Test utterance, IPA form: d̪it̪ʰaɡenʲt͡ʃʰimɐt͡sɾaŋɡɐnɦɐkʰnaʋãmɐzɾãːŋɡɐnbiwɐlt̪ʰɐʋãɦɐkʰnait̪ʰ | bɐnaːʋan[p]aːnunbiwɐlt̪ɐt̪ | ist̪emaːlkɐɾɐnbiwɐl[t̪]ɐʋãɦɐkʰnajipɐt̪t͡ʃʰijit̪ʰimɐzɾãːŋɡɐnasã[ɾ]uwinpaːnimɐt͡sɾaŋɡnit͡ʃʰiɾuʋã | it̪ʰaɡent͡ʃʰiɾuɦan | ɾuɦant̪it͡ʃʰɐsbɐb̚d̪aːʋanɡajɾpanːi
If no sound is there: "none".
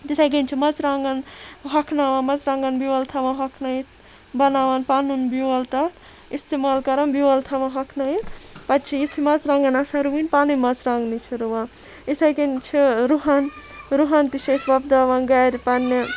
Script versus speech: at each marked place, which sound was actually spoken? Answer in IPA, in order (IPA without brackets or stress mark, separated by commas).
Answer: p, t̪ʰ, ɾ